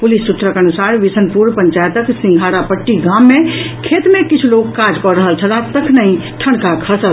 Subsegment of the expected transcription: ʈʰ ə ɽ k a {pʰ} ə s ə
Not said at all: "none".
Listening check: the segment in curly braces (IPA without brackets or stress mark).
kʰ